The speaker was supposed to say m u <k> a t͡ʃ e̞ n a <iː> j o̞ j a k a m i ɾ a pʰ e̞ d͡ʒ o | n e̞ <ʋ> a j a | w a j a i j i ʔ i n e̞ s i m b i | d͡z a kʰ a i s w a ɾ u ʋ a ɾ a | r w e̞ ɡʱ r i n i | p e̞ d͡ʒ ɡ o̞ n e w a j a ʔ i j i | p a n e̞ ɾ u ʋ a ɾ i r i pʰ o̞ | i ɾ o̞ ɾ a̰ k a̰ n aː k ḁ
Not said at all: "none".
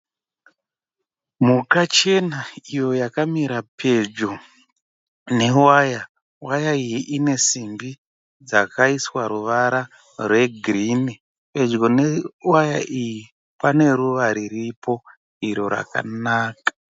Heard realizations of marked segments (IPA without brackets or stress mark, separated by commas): k, i, w